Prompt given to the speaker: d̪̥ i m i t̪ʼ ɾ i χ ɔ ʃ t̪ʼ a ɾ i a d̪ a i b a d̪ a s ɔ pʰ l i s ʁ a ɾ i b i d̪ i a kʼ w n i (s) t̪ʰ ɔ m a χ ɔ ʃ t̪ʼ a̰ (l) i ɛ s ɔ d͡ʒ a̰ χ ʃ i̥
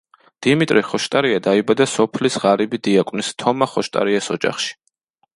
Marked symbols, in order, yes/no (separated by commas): yes, no